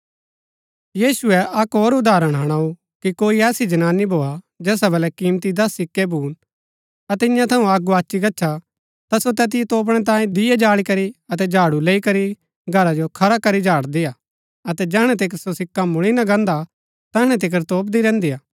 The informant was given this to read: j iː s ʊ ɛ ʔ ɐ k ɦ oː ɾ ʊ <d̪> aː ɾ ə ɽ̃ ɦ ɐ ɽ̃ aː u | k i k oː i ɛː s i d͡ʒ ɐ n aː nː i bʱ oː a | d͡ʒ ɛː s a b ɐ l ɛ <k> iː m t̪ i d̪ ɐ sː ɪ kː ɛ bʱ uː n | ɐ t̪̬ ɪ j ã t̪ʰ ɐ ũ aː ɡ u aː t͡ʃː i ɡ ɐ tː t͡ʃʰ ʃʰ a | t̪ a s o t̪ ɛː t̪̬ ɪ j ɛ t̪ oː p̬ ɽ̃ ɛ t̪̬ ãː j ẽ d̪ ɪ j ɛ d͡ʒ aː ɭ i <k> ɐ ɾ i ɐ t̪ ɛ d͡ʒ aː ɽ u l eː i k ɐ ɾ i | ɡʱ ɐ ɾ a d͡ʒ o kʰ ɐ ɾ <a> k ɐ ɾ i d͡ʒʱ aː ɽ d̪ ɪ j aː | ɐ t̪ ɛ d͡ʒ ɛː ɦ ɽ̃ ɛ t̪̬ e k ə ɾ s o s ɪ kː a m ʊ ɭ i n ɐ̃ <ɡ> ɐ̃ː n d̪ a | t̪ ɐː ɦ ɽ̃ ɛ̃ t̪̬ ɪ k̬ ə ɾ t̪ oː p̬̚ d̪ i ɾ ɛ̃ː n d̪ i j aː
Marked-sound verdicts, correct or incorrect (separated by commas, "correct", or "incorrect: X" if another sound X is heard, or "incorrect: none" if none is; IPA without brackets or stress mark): correct, correct, correct, correct, correct